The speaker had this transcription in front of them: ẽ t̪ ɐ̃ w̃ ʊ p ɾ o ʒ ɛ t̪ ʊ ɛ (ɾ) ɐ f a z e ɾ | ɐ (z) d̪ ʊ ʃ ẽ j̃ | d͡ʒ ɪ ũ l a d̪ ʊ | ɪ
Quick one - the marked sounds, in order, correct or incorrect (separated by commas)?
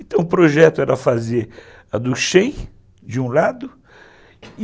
correct, incorrect